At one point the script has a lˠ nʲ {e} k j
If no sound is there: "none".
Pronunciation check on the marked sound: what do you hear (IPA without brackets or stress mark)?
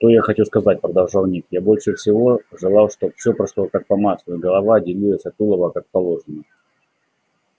i